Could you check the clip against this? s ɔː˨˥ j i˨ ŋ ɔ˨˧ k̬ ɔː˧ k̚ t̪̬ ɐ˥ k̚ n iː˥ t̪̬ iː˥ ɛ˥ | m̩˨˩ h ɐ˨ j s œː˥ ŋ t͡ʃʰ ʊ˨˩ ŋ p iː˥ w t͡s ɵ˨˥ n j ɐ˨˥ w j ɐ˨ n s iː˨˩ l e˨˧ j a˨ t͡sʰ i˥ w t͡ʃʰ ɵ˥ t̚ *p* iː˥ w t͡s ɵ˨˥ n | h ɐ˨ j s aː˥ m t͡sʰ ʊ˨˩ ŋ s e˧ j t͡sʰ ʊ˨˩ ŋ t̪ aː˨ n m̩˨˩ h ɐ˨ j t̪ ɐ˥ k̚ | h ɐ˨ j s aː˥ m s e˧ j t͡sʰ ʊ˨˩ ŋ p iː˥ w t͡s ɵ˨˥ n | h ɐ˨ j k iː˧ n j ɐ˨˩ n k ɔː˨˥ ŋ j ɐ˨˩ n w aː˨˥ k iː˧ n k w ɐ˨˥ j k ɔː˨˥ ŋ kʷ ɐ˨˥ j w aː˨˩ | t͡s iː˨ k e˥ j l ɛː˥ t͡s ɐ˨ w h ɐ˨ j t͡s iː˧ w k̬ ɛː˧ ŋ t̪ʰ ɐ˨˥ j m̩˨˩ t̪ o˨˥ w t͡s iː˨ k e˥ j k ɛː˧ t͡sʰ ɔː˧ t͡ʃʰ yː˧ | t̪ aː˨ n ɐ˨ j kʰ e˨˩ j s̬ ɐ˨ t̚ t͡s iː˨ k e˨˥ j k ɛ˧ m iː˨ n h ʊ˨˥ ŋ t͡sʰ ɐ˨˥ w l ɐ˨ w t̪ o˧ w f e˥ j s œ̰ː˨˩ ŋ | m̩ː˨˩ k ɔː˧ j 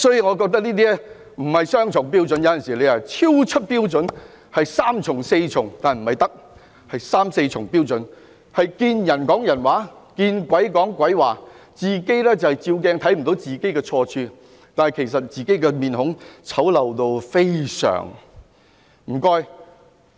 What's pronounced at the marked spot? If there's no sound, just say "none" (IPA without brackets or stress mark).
p